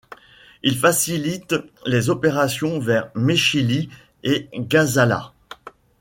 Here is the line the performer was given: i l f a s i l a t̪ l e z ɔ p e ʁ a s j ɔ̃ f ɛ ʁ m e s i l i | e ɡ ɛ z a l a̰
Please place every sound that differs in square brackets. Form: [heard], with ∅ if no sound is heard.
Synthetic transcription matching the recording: i l f a s i l [i] t̪ l e z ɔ p e ʁ a s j ɔ̃ [v] ɛ ʁ m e [ʃ] i l i | e ɡ [a] z a l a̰